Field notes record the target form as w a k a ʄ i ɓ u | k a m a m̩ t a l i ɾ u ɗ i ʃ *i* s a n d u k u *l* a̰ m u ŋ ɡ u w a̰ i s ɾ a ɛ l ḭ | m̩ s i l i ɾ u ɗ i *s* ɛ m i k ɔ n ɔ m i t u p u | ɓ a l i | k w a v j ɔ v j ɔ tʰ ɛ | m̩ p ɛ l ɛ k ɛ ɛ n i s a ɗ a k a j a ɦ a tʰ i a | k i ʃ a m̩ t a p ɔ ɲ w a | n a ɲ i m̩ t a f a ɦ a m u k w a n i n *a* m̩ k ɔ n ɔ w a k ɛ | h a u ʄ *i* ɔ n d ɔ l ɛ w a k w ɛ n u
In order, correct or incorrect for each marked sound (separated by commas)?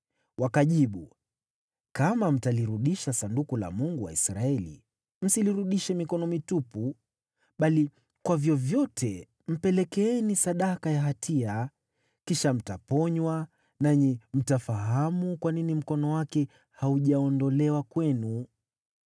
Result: incorrect, correct, incorrect, incorrect, incorrect